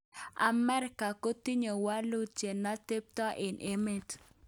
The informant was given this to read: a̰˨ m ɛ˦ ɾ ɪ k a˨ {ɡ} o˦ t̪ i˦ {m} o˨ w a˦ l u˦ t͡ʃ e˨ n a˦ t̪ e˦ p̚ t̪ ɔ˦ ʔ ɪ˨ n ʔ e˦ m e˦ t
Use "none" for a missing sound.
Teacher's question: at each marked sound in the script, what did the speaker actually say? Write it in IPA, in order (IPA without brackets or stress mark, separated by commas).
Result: k, ɲ